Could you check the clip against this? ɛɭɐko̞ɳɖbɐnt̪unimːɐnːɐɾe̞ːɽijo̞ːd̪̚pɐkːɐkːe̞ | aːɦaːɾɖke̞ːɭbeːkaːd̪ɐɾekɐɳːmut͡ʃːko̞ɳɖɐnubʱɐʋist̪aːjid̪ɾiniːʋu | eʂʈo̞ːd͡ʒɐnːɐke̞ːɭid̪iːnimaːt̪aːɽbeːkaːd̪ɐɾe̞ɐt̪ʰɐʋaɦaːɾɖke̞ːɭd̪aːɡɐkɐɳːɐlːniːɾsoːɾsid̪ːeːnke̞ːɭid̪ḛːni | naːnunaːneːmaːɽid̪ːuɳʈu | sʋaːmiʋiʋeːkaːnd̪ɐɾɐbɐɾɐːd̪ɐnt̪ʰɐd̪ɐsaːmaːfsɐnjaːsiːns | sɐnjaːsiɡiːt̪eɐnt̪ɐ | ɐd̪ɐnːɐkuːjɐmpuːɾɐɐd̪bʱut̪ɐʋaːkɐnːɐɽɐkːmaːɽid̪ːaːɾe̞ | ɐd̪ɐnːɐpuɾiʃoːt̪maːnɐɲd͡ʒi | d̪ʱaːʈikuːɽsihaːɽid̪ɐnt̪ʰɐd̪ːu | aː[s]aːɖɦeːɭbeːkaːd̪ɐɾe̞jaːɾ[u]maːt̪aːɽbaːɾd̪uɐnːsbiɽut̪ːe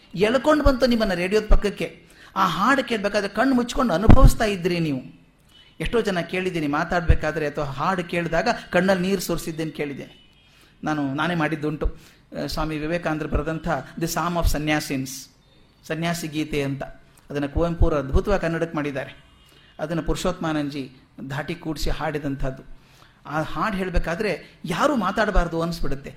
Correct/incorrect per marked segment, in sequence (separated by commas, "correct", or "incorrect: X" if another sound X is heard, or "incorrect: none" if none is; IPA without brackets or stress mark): incorrect: h, incorrect: uː